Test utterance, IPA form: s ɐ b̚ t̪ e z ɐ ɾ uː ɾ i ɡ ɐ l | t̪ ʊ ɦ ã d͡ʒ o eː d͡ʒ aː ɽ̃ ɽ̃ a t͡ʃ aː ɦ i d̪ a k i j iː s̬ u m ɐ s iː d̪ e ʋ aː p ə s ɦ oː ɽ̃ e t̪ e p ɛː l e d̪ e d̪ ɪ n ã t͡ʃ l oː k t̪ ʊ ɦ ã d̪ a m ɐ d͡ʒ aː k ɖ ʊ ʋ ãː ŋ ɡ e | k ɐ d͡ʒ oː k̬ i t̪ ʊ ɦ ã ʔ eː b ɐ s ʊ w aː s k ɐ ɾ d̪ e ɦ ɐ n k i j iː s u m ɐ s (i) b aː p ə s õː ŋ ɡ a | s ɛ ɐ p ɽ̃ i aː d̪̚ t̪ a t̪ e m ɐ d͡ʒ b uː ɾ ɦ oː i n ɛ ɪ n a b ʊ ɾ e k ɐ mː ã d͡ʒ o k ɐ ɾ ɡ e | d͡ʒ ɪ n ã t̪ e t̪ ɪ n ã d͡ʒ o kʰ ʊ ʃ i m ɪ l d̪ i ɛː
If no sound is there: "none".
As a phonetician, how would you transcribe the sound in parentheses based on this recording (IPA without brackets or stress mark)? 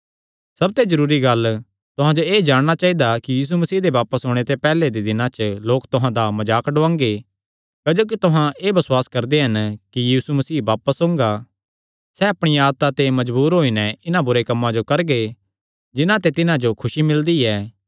iː